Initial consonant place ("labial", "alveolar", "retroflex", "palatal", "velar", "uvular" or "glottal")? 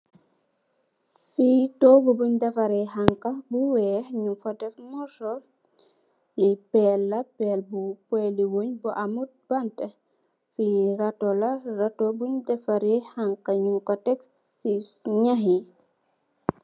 labial